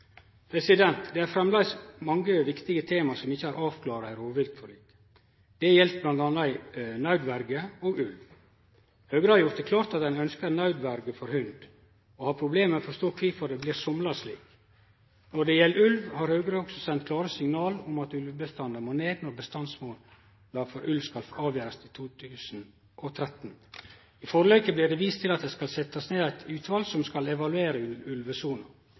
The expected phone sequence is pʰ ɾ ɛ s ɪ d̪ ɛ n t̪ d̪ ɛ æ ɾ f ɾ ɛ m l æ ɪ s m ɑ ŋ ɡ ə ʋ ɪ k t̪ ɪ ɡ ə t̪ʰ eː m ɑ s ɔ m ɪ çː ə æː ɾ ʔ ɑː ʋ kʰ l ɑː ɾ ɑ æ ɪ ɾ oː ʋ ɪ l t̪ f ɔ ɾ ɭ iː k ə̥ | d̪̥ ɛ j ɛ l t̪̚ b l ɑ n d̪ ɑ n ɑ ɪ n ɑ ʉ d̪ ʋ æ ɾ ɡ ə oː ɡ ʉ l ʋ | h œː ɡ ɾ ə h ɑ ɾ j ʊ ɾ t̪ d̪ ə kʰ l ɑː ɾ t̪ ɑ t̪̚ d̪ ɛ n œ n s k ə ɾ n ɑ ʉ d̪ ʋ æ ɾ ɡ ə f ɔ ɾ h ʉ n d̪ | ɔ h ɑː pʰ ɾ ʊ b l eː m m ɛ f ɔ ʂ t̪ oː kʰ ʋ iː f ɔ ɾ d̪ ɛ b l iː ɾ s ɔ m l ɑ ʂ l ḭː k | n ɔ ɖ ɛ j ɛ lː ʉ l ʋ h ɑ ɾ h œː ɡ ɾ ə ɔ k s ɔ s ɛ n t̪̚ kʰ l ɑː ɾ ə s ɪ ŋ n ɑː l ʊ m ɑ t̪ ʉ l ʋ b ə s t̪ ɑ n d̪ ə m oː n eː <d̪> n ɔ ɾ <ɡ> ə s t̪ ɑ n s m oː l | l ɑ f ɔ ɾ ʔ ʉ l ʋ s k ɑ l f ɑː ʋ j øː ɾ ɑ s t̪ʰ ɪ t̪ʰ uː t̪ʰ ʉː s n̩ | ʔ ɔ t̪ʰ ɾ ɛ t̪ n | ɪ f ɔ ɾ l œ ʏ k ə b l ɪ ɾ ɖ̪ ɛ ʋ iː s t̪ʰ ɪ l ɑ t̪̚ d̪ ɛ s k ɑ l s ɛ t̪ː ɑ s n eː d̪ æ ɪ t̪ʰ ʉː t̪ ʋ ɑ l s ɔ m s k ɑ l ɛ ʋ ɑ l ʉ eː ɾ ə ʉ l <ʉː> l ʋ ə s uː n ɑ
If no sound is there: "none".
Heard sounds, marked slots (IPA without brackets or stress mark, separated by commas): d̪, b, ʉ